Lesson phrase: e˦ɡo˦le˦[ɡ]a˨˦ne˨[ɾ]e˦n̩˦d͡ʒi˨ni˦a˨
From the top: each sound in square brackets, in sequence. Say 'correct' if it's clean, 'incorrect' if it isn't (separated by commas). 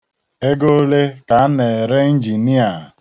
incorrect, correct